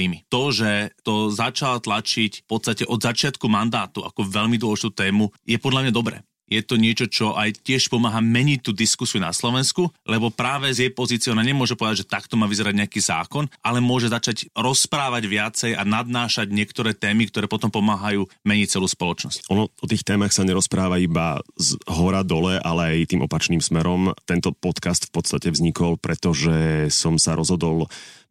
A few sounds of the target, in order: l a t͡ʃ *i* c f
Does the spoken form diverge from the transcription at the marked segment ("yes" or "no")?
no